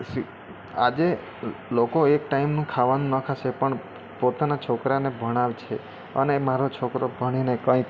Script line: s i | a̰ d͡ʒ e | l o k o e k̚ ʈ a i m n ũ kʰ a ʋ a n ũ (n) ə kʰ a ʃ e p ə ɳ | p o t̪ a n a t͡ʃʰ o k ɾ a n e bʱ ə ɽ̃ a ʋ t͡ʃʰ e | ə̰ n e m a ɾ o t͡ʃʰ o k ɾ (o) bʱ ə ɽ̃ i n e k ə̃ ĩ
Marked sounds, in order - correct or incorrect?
correct, correct

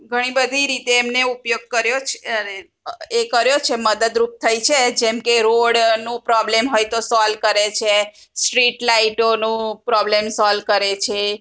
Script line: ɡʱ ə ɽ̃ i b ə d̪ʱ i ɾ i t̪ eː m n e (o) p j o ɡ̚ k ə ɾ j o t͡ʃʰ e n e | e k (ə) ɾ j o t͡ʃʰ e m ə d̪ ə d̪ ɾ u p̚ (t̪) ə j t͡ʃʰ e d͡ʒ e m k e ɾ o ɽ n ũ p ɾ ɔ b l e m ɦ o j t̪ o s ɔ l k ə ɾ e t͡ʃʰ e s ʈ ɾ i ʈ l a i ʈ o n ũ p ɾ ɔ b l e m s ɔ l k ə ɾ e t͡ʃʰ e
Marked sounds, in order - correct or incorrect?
incorrect: u, correct, incorrect: t̪ʰ

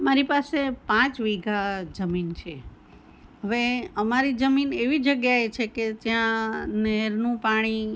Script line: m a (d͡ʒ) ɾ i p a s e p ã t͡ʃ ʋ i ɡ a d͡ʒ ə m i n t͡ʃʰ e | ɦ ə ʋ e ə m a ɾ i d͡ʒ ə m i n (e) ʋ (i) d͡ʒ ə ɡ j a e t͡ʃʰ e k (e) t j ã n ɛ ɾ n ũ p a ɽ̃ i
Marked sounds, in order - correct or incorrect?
incorrect: none, correct, correct, correct

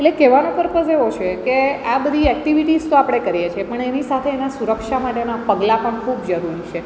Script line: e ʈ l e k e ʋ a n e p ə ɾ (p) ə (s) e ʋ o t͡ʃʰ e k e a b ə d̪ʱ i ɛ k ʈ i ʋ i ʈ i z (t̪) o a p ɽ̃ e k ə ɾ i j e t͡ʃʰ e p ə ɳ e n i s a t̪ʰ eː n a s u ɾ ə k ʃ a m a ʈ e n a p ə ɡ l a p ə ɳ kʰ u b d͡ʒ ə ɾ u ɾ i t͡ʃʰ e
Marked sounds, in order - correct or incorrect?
correct, correct, correct

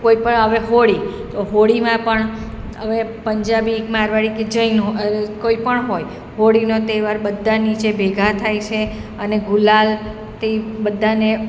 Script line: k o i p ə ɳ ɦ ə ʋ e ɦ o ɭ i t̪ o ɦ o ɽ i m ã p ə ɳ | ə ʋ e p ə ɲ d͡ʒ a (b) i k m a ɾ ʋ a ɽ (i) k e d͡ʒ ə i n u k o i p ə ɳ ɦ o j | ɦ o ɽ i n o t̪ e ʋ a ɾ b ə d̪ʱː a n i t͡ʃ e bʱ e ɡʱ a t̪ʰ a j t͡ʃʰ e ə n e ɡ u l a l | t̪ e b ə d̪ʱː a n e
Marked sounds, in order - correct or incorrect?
correct, correct

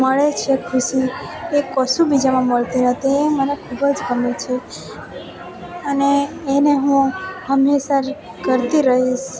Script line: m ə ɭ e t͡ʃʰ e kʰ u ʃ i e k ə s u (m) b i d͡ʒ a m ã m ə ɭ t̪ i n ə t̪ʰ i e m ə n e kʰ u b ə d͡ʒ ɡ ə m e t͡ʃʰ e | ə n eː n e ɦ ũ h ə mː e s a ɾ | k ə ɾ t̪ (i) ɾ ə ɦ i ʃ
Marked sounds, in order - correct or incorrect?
incorrect: none, correct

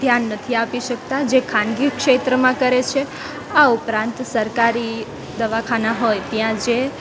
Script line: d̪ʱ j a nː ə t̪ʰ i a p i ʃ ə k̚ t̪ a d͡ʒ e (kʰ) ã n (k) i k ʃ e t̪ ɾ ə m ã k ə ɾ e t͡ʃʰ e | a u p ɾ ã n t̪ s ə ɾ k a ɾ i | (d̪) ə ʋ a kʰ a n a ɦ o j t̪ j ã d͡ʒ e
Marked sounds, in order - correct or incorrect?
correct, incorrect: ɡ, correct

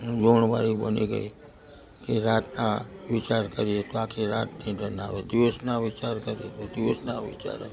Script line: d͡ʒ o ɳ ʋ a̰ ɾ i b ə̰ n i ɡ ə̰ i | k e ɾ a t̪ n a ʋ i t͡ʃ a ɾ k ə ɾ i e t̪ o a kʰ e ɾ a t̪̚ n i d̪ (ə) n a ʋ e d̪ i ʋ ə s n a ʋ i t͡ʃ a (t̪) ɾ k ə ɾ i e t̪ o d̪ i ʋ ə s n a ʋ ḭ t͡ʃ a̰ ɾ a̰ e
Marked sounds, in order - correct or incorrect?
correct, incorrect: none

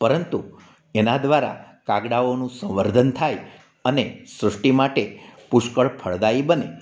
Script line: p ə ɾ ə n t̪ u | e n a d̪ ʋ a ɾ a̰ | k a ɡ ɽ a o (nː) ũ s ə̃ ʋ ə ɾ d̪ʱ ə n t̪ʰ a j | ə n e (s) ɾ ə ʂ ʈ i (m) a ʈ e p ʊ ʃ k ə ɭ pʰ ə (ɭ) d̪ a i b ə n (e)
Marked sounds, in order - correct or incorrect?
incorrect: n, correct, correct, correct, correct

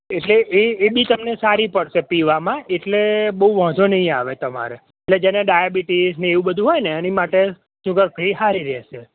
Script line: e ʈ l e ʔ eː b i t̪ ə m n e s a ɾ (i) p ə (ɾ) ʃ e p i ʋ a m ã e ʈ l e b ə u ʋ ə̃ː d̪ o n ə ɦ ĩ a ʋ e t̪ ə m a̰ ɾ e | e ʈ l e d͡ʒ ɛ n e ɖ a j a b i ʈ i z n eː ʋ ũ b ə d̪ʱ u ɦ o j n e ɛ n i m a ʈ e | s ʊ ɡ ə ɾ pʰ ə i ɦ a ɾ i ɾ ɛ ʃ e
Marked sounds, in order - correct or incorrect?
correct, incorrect: ɽ

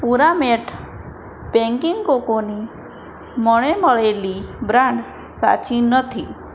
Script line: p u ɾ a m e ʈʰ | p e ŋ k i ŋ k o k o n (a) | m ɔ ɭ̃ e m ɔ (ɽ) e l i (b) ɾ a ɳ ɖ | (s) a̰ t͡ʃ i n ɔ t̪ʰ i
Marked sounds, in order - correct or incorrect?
incorrect: i, incorrect: ɭ, correct, correct

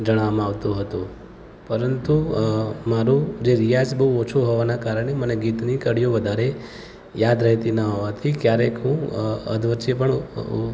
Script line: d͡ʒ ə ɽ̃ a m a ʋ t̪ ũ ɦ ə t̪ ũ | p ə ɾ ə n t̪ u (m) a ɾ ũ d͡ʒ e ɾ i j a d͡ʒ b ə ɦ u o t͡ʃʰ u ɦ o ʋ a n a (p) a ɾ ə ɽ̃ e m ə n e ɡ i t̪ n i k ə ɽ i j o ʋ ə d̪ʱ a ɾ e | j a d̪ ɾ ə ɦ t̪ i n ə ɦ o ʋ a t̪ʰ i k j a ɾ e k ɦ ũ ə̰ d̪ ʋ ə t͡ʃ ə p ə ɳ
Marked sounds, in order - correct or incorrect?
correct, incorrect: k

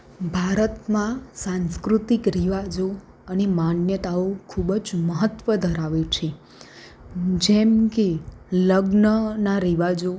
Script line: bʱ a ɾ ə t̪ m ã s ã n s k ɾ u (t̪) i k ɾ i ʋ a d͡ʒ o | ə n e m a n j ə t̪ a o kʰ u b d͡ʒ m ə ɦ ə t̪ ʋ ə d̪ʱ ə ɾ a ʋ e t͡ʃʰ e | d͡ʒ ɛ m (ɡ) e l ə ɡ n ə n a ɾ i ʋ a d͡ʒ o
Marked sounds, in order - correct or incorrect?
correct, incorrect: k

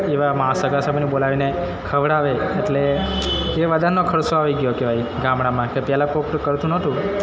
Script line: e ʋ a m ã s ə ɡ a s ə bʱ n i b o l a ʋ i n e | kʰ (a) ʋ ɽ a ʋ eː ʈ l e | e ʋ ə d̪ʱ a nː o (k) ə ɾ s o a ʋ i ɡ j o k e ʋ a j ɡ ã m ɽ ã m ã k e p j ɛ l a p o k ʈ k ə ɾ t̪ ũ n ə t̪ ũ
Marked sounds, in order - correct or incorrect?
incorrect: ə, incorrect: kʰ

